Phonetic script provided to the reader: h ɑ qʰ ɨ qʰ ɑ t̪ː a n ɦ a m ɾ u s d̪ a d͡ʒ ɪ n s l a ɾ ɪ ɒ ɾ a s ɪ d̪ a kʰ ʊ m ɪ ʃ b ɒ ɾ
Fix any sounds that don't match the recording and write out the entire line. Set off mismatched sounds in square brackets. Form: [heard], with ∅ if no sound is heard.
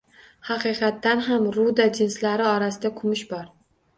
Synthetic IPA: h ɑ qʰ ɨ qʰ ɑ t̪ː a n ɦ a m ɾ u [∅] d̪ a d͡ʒ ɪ n s l a ɾ ɪ ɒ ɾ a s ɪ d̪ a kʰ ʊ m ɪ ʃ b ɒ ɾ

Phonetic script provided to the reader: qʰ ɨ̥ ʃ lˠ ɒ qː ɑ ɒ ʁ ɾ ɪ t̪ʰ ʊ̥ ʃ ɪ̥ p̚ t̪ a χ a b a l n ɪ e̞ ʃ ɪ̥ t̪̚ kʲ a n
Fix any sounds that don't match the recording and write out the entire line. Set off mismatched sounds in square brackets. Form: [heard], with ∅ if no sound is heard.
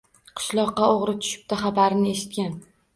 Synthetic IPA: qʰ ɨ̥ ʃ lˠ ɒ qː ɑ [o] ʁ ɾ ɪ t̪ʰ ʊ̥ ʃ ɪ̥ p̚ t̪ a χ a b a [ɾ] n ɪ e̞ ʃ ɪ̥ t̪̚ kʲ a n

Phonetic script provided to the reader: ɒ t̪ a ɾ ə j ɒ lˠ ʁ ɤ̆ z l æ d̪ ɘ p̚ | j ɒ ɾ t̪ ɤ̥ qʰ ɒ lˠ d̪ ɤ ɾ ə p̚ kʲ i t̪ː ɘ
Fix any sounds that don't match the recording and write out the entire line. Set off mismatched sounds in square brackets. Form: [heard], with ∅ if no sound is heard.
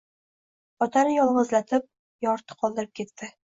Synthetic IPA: ɒ t̪ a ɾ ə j ɒ lˠ ʁ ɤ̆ z l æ [t̪] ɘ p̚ | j ɒ ɾ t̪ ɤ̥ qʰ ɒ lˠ d̪ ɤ ɾ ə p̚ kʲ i t̪ː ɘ

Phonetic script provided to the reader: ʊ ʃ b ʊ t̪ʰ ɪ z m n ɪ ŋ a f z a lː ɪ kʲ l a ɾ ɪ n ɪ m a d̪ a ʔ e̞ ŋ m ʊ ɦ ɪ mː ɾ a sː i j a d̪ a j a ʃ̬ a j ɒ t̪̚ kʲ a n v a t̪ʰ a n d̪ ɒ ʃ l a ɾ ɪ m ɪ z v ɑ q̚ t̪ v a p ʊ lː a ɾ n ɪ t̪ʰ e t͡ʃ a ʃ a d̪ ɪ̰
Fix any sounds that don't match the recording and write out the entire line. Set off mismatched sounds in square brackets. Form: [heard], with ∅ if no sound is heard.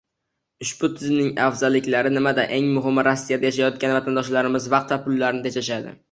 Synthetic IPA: ʊ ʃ b ʊ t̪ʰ ɪ z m n ɪ ŋ a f z a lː ɪ kʲ l a ɾ ɪ n ɪ m a d̪ a ʔ e̞ ŋ m ʊ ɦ ɪ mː ɾ a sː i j a d̪ a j a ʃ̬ a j ɒ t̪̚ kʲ a n v a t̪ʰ a n d̪ ɒ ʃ l a ɾ ɪ m ɪ z v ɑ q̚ t̪ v a p ʊ lː a ɾ n ɪ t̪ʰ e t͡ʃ a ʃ a d̪ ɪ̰

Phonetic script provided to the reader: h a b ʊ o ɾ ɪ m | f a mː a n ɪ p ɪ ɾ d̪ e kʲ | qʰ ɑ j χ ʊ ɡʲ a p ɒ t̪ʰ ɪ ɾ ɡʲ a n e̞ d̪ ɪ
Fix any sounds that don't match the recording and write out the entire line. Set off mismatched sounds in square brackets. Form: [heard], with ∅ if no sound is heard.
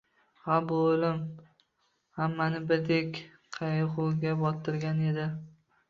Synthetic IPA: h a b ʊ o [l] ɪ m | [h] a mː a n ɪ [b] ɪ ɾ d̪ e kʲ | qʰ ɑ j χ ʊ ɡʲ a [b] ɒ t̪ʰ ɪ ɾ ɡʲ a n e̞ d̪ ɪ

